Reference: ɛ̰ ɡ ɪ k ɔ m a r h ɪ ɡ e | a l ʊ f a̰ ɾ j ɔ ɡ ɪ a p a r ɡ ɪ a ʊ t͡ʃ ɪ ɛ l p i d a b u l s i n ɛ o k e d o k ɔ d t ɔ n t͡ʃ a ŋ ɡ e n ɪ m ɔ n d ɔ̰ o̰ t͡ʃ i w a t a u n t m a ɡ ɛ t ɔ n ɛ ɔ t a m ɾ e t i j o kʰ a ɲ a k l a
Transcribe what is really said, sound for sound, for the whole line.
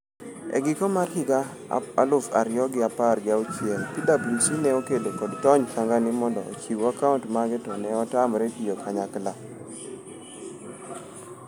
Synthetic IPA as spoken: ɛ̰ ɡ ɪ k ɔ m a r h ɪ ɡ a | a l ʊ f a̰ ɾ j ɔ ɡ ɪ a p a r ɡ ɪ a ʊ t͡ʃ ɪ ɛ l p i d a b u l s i n ɛ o k e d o k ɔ d t ɔ ɲ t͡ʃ a ŋ ɡ a n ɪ m ɔ n d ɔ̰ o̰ t͡ʃ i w a k a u n t m a ɡ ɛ t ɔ n ɛ ɔ t a m ɾ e t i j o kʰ a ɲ a k l a